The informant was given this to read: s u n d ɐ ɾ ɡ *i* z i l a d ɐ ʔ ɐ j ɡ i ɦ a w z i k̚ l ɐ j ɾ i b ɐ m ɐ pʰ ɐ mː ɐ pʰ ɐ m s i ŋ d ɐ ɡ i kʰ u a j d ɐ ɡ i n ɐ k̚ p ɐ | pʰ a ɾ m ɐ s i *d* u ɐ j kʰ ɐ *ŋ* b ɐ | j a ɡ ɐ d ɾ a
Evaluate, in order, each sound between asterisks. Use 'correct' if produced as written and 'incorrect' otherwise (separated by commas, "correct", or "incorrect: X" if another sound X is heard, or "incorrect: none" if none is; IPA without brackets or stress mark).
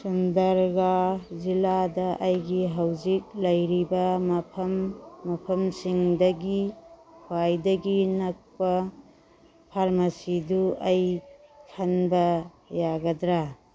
incorrect: a, correct, incorrect: n